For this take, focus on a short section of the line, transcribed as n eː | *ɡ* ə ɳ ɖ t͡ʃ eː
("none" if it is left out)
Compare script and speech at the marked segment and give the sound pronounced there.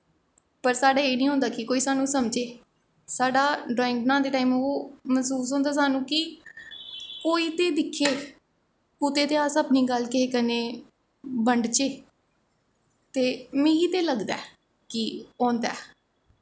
b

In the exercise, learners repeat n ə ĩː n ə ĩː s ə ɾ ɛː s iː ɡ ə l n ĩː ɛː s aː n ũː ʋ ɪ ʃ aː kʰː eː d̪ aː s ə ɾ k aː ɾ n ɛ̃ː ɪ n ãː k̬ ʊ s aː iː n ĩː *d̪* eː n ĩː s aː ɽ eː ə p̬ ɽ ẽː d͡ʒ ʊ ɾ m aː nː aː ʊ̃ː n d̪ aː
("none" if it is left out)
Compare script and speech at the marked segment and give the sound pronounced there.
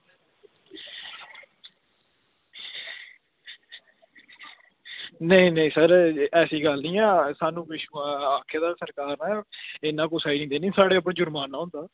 d̪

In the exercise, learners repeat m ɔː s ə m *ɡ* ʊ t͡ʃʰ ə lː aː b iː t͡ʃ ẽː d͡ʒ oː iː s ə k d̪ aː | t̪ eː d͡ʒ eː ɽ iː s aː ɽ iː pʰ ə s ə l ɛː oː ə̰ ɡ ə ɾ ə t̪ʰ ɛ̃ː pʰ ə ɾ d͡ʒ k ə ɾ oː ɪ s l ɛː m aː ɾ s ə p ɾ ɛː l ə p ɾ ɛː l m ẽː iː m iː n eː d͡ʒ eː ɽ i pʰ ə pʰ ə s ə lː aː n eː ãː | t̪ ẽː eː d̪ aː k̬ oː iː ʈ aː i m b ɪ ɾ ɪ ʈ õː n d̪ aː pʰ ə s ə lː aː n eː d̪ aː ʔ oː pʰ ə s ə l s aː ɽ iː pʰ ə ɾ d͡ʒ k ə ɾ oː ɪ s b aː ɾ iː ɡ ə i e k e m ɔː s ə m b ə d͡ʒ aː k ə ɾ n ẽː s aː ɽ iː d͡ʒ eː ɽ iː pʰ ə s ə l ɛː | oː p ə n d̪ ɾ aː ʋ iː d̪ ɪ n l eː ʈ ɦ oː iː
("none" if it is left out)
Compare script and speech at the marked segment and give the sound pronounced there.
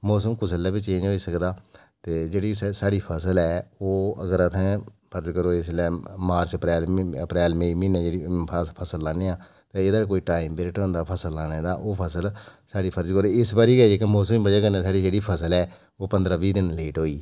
k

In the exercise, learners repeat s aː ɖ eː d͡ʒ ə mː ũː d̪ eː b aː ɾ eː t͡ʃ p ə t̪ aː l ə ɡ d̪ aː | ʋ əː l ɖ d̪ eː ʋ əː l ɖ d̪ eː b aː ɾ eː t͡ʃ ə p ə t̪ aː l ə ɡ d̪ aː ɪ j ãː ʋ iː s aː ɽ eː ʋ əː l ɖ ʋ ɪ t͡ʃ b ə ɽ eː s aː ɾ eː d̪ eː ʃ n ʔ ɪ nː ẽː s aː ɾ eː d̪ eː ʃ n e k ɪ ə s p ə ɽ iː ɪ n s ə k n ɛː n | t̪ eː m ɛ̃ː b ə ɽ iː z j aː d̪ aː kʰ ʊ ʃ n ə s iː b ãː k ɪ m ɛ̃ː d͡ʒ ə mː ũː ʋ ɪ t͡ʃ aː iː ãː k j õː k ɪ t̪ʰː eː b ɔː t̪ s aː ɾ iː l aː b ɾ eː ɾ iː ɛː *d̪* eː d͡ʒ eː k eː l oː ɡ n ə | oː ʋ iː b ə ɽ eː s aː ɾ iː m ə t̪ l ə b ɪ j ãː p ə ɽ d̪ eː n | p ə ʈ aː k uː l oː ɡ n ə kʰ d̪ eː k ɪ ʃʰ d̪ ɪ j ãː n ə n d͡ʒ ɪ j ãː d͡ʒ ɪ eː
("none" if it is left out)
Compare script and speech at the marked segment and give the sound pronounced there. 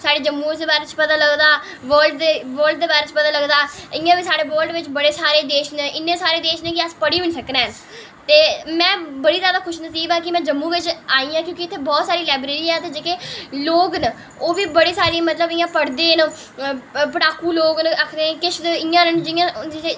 t̪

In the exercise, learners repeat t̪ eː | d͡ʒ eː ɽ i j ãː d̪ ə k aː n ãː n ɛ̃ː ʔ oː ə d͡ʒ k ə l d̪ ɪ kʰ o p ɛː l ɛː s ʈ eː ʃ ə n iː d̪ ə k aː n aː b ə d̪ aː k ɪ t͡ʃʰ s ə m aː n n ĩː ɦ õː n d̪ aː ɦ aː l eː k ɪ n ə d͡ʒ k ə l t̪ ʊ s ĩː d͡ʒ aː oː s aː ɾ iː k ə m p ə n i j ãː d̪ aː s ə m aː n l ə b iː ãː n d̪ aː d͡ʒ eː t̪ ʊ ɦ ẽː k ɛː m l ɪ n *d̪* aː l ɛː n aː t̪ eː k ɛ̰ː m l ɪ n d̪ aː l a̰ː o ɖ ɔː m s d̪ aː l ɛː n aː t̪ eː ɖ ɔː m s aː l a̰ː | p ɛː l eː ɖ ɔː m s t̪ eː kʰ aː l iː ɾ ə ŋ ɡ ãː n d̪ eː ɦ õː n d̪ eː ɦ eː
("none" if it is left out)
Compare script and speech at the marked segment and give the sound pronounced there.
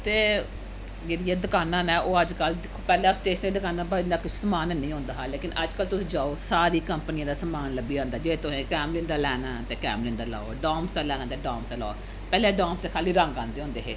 d̪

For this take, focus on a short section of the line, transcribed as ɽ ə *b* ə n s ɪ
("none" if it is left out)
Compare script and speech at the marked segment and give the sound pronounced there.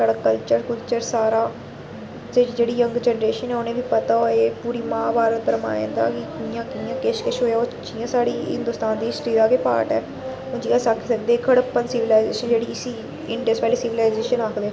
p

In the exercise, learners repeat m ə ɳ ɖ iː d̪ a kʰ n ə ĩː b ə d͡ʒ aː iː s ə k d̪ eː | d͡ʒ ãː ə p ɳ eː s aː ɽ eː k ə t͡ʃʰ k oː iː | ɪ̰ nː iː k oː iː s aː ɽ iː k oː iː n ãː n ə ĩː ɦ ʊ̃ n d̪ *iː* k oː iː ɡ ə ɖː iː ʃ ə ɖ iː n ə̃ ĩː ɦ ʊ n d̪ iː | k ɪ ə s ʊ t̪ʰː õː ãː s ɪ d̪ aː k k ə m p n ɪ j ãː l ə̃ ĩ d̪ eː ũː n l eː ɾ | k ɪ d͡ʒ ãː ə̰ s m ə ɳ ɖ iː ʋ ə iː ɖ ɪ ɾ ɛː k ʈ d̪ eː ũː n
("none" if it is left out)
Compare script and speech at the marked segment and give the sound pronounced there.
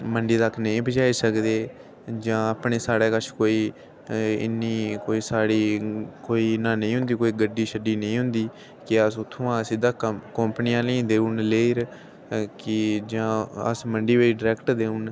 iː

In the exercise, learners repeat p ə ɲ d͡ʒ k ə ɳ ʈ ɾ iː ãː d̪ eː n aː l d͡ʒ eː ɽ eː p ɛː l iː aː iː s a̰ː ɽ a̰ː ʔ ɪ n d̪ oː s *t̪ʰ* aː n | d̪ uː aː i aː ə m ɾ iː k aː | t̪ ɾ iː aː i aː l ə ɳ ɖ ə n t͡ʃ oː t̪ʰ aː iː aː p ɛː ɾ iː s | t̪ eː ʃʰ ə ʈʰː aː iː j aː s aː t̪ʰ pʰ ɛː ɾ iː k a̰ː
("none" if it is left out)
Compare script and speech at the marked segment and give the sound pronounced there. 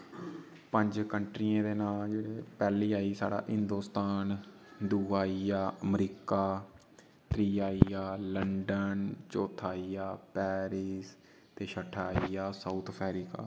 t̪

